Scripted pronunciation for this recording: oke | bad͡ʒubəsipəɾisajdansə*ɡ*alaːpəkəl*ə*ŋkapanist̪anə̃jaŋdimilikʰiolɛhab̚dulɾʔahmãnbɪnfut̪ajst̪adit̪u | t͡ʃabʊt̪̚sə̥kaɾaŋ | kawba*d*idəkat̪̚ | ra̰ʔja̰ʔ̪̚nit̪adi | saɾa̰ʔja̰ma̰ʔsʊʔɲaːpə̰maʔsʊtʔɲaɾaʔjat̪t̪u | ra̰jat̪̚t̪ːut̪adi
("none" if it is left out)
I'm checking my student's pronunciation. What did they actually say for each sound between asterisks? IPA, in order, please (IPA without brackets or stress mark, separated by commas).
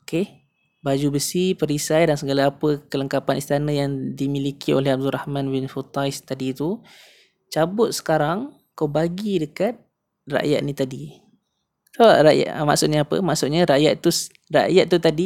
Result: ɡ, ə, ɡ